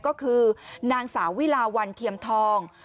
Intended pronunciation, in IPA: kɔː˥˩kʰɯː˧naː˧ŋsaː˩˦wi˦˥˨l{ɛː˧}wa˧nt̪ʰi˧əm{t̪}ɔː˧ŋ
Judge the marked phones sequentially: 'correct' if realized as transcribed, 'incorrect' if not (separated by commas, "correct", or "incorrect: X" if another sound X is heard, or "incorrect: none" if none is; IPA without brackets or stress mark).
incorrect: aː˧, incorrect: t̪ʰ